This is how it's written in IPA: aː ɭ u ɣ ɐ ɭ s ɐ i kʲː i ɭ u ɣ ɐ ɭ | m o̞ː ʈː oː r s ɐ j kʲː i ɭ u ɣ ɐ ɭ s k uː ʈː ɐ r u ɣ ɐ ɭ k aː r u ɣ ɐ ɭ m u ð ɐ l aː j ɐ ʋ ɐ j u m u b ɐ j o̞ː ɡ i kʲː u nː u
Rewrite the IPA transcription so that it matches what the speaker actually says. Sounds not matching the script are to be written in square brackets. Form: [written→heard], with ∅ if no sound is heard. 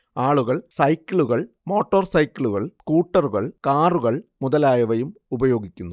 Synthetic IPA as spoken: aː ɭ u ɣ ɐ ɭ s ɐ [i→j] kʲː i ɭ u ɣ ɐ ɭ | m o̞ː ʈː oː r s ɐ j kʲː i ɭ u ɣ ɐ ɭ s k uː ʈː ɐ r u ɣ ɐ ɭ k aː r u ɣ ɐ ɭ m u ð ɐ l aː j ɐ ʋ ɐ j u m u b ɐ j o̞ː ɡ i kʲː u nː u